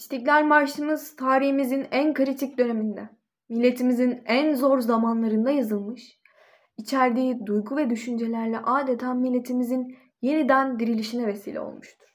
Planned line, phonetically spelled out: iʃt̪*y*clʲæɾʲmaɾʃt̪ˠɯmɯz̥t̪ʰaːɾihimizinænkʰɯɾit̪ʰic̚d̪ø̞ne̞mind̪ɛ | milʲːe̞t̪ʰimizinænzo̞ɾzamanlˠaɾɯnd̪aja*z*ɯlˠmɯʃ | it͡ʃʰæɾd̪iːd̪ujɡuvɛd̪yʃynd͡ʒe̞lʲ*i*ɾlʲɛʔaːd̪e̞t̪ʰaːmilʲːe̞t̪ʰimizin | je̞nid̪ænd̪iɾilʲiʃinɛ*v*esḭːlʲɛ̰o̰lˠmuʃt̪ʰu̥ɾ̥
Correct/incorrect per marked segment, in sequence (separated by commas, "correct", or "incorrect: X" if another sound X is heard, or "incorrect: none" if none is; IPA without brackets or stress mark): incorrect: i, correct, incorrect: æ, correct